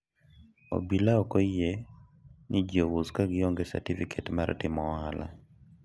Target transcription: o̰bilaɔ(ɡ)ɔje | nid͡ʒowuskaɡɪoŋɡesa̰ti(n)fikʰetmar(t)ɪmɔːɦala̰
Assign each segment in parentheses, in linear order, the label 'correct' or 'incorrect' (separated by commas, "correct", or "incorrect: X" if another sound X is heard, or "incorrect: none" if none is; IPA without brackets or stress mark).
incorrect: k, incorrect: none, correct